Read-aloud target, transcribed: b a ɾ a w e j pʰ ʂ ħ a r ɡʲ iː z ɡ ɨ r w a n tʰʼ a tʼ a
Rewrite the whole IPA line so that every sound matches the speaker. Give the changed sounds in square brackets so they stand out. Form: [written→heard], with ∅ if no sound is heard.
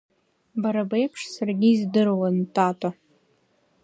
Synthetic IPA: b a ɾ a [w→b] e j pʰ ʂ [ħ→s] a r ɡʲ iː z [ɡ→d] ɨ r w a n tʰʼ a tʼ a

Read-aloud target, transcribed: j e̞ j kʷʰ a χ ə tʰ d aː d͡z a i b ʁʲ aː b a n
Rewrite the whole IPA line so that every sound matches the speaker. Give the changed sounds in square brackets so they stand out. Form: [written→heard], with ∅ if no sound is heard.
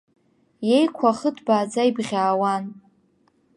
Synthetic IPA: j e̞ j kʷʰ a χ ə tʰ [d→b] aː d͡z a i b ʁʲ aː [b→w] a n

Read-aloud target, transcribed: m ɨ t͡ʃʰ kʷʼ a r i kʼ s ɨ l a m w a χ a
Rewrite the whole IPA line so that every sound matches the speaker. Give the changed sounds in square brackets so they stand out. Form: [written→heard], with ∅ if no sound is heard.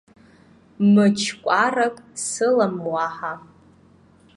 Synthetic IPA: m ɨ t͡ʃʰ kʷʼ a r [i→a] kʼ s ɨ l a m w a [χ→ħ] a

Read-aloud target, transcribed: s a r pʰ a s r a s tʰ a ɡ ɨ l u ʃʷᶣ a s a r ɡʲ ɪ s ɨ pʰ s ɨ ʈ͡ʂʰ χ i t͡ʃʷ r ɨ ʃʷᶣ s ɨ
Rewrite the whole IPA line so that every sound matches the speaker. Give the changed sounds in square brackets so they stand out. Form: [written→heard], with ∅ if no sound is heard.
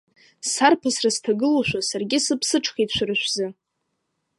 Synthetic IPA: s a r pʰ a s r a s tʰ a ɡ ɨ l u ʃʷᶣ a s a r ɡʲ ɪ s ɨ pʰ s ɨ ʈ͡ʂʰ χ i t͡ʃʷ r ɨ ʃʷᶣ [s→z] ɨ

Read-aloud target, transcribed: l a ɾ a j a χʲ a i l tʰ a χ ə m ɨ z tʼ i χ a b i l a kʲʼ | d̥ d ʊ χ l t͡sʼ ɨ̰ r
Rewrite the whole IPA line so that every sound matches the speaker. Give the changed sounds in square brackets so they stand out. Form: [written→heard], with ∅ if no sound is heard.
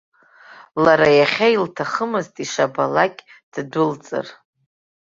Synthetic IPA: l a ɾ a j a χʲ a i l tʰ a χ ə m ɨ z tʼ i [χ→ʂ] a b [i→a] l a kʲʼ | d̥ d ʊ [χ→∅] l t͡sʼ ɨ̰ r

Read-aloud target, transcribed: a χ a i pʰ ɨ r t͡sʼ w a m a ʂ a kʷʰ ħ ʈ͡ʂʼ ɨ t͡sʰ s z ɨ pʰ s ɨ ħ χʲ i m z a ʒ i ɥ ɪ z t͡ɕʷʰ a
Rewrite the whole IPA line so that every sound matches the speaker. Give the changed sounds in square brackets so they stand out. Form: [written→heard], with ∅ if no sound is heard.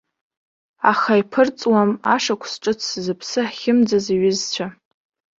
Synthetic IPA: a χ a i pʰ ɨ r t͡sʼ w a m a ʂ a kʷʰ [ħ→s] ʈ͡ʂʼ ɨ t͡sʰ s z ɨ pʰ s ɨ ħ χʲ [i→ɪ] m [z→d͡z] a [ʒ→z] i ɥ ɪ z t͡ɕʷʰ a

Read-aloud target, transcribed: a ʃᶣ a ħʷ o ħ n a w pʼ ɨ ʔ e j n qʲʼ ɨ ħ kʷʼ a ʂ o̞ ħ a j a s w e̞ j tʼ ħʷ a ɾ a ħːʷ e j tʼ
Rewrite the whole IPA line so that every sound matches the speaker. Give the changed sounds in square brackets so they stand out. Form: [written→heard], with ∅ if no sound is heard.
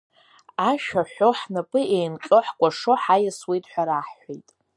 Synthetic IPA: a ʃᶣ a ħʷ o ħ n a [w→∅] pʼ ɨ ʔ e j n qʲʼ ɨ ħ kʷʼ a ʂ o̞ ħ a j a s w e̞ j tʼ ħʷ a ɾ a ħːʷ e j tʼ

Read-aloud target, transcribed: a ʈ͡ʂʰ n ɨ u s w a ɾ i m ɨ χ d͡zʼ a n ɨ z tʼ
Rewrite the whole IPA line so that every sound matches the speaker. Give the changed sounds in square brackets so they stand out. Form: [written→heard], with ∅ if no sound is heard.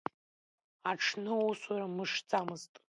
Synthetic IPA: a ʈ͡ʂʰ n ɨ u s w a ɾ [i→a] m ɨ [χ→ʂ] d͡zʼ a [n→m] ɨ z tʼ

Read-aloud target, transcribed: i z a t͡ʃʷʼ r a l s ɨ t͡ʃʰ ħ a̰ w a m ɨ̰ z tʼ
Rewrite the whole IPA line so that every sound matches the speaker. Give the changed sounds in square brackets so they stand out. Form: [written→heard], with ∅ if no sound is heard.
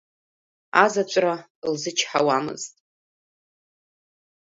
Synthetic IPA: [i→a] z a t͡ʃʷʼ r a l [s→z] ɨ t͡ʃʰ ħ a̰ w a m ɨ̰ z tʼ

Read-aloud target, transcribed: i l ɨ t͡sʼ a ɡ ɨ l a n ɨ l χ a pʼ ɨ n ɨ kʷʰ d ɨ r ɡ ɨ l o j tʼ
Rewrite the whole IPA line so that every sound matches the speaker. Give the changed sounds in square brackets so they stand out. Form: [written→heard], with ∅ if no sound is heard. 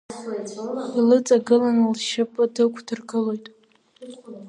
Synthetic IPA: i l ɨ t͡sʼ a ɡ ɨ l a n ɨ l [χ→ʃ] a pʼ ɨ [n→d] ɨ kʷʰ d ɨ r ɡ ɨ l o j tʼ

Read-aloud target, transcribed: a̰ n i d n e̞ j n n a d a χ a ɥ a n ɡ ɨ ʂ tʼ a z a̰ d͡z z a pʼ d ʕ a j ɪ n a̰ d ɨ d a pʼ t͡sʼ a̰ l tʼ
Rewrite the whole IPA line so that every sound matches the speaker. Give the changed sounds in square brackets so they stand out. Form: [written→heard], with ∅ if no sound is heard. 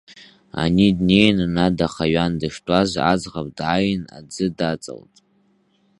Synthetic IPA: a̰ n i d n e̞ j n n a d a χ a ɥ a n [ɡ→d] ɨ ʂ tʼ a z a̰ d͡z [z→ʁ] a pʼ d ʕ a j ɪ n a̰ [d→d͡z] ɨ d a [pʼ→∅] t͡sʼ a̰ l tʼ

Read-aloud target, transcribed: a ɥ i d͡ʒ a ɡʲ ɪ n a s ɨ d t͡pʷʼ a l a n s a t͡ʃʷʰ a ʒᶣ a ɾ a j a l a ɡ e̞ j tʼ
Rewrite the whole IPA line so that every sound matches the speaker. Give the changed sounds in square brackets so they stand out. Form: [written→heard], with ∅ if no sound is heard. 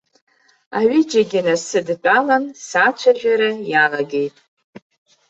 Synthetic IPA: a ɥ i d͡ʒ a ɡʲ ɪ n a s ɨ d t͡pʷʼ a l a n s a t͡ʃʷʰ a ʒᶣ a ɾ a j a l a ɡ e̞ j tʼ

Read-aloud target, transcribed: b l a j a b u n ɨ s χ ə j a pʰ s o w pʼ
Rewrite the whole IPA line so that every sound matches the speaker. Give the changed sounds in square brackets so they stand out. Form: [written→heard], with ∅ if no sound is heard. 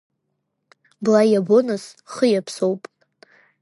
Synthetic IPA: b l a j a b [u→o] n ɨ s χ ə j a pʰ s o w pʼ

